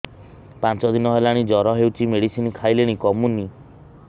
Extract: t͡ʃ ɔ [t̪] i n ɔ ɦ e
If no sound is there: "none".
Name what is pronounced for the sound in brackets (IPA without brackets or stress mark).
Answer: d̪